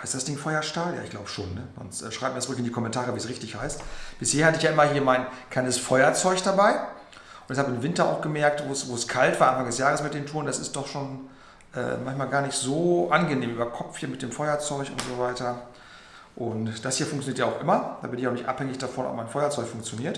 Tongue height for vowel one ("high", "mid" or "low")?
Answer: low